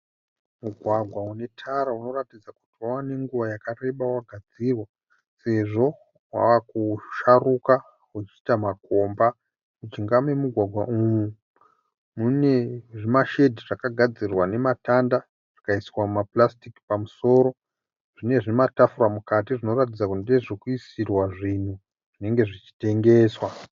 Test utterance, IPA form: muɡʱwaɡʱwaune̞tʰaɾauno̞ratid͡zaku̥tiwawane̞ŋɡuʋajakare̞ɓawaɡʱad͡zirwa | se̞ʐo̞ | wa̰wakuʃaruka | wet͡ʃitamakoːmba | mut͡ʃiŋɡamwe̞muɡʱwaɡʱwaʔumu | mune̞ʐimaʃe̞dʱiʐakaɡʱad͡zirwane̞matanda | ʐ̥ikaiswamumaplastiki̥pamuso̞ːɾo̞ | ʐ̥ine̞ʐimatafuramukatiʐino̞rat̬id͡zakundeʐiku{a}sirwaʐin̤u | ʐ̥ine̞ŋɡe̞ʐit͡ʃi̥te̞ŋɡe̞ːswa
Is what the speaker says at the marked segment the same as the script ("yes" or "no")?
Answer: no